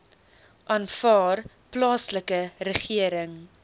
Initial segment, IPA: ʔ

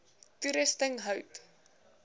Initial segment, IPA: t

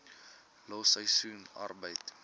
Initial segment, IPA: l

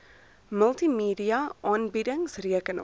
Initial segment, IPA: m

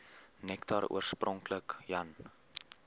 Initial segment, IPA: n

